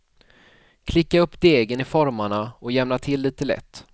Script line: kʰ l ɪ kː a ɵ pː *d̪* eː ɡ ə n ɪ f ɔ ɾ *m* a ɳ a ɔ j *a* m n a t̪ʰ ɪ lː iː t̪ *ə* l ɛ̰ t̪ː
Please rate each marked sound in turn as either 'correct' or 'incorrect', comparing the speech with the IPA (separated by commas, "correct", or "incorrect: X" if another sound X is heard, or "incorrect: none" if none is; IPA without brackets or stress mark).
correct, correct, incorrect: ɛ, correct